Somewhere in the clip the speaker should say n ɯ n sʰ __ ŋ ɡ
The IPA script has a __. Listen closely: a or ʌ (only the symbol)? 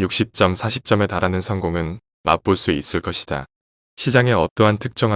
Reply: ʌ